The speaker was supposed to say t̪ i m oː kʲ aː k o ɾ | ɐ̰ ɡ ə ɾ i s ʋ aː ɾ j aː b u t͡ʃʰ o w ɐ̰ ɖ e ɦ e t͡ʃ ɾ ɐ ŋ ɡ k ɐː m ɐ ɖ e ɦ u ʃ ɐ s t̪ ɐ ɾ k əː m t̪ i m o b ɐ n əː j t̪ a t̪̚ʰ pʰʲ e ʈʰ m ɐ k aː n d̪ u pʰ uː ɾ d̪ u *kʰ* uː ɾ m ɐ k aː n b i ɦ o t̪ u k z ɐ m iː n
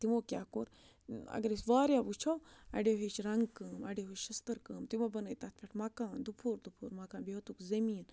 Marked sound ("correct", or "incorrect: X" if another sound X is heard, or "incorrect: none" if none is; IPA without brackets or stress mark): incorrect: pʰ